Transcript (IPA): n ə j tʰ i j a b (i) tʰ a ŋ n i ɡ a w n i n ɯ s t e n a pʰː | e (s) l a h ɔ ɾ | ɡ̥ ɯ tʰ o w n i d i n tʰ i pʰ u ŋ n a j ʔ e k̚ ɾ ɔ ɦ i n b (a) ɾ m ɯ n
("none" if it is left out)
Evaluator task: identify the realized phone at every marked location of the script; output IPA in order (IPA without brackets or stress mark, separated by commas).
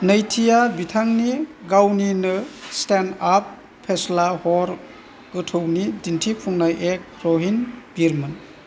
i, s, i